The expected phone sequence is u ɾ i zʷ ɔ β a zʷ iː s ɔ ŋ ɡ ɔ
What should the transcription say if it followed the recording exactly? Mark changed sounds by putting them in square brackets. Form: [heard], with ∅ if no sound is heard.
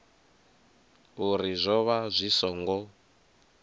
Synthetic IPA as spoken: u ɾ i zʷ ɔ β a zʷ [i] s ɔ ŋ ɡ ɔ

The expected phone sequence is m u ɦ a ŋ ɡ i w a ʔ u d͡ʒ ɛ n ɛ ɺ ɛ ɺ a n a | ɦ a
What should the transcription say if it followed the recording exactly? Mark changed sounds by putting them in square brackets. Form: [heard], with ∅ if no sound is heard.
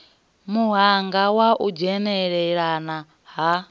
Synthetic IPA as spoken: m u ɦ a ŋ ɡ [a] w a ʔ u d͡ʒ ɛ n ɛ ɺ ɛ ɺ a n a | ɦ a

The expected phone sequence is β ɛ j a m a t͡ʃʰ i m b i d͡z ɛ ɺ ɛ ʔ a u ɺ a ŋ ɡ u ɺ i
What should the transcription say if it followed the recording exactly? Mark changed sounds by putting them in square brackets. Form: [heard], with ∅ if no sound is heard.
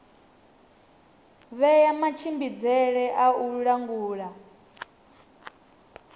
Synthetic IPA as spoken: β ɛ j a m a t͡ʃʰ i m b i d͡z ɛ ɺ ɛ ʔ a u ɺ a ŋ ɡ [uː] ɺ [a]

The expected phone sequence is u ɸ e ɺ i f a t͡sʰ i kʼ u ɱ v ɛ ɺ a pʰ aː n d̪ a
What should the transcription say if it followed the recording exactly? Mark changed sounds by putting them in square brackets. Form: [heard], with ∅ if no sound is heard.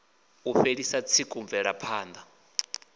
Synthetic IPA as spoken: u ɸ e ɺ i [s] a t͡sʰ i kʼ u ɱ v ɛ ɺ a pʰ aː n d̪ a

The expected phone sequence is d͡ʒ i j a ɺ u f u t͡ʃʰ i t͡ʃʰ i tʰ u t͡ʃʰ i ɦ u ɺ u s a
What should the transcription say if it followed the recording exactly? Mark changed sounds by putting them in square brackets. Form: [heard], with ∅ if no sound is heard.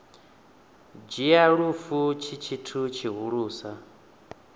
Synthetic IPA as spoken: d͡ʒ i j a ɺ u f u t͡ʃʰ i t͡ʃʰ i tʰ u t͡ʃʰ i ɦ u ɺ [uː] s a

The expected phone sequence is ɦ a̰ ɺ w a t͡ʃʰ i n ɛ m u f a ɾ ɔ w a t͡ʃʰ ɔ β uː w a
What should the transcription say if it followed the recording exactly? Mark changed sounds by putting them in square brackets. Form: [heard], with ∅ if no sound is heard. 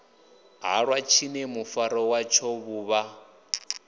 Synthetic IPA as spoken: ɦ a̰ ɺ w a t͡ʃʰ i n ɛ m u f a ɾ ɔ w a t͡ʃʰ ɔ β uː [β] a

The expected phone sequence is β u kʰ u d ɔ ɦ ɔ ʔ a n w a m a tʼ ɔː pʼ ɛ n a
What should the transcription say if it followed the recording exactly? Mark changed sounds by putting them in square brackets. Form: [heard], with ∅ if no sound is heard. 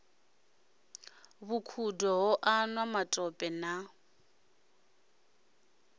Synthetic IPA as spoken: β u kʰ u d ɔ ɦ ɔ ʔ a n w a m a tʼ [ɔ] pʼ ɛ n a

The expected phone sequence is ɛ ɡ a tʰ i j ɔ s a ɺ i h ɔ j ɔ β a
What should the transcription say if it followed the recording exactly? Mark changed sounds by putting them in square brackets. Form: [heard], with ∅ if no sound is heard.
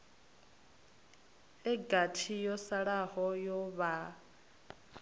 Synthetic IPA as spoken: ɛ ɡ a tʰ i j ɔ s a ɺ [a] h ɔ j ɔ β a

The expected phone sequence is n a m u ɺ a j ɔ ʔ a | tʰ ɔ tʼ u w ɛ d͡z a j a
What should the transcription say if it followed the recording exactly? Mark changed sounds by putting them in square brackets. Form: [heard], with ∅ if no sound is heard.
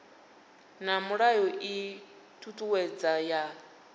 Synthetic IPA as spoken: n a m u ɺ a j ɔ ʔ [i] | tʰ [u] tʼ u w ɛ d͡z a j a

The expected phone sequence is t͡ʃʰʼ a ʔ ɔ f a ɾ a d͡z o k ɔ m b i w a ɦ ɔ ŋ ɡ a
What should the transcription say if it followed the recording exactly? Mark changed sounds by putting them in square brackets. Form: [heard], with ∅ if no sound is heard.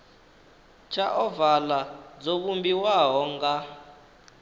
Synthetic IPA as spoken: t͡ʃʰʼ a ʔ ɔ [v] a [l] a d͡z o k [u] m b i w a ɦ ɔ ŋ ɡ a

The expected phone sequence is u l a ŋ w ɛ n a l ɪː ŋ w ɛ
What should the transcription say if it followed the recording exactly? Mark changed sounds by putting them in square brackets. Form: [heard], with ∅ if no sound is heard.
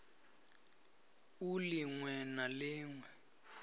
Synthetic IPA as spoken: u l [i] ŋ w ɛ n a l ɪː ŋ w ɛ

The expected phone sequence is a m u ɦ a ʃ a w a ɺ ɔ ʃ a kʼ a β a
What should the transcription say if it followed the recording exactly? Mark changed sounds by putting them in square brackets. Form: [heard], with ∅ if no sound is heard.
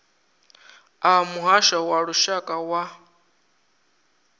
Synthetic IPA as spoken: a m u ɦ a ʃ a w a ɺ [u] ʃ a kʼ a [w] a

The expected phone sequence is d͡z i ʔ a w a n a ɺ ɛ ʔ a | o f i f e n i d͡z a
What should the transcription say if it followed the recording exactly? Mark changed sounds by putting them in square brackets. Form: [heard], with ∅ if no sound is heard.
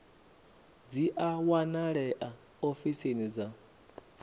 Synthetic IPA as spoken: d͡z i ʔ a w a n a ɺ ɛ ʔ a | o f i [s] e n i d͡z a

